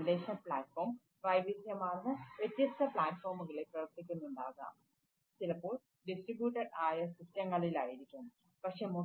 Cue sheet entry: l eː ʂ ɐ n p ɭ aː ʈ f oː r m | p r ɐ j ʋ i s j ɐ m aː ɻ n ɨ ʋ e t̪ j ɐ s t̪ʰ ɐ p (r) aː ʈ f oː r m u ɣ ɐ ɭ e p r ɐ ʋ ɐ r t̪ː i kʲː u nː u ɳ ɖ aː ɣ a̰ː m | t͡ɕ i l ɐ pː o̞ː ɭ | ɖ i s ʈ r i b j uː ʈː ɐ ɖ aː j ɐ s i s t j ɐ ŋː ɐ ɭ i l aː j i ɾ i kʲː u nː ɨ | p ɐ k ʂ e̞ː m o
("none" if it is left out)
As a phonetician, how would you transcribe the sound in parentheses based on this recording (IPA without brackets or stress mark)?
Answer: ɭ